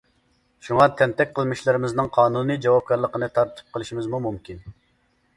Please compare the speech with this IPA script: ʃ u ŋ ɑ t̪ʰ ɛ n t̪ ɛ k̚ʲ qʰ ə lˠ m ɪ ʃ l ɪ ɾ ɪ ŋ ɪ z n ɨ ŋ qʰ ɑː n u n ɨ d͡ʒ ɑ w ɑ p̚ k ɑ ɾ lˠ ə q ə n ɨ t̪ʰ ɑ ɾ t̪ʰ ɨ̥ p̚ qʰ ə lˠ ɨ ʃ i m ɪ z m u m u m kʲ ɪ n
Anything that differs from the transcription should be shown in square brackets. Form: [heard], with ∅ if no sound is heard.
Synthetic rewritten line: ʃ u ŋ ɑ t̪ʰ ɛ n t̪ ɛ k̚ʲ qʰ ə lˠ m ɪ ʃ l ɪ ɾ ɪ [m] ɪ z n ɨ ŋ qʰ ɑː n u n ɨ d͡ʒ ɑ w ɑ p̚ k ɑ ɾ lˠ ə q ə n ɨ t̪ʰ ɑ ɾ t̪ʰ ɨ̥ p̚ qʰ ə lˠ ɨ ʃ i m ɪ z m u m u m kʲ [i] n